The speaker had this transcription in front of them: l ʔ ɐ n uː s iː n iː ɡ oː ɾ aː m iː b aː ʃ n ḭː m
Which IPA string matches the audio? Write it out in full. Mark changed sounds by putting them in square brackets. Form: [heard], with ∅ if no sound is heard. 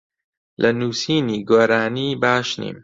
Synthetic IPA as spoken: l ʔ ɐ n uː s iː n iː ɡ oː ɾ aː [n] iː b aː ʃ n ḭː m